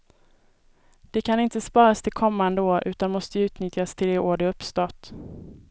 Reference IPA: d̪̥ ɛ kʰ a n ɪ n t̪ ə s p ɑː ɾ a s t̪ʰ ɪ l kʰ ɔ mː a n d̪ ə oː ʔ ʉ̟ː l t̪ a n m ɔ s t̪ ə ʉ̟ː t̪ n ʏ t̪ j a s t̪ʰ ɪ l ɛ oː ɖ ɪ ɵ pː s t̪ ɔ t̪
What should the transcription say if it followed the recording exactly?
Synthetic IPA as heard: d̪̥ ɛ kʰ a n ɪ n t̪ ə s p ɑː ɾ a s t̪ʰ ɪ l kʰ ɔ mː a n d̪ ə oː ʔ ʉ̟ː t̪ a n m ɔ s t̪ ə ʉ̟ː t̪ n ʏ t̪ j a s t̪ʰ ɪ l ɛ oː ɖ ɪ ɵ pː s t̪ ɔ t̪